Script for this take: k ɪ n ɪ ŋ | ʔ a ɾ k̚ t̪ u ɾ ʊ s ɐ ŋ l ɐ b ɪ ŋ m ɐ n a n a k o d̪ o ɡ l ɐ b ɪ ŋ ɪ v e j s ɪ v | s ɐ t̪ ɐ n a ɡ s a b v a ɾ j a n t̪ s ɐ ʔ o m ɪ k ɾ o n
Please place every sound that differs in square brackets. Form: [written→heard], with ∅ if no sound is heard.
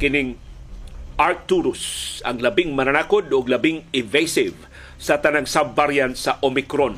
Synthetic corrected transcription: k ɪ n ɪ ŋ | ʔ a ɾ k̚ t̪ u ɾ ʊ s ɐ ŋ l ɐ b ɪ ŋ m ɐ n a n a k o d̪ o ɡ l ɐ b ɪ ŋ ɪ v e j s ɪ v | s ɐ t̪ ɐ n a [ɡ→ŋ] s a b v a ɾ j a n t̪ s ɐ ʔ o m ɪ k ɾ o n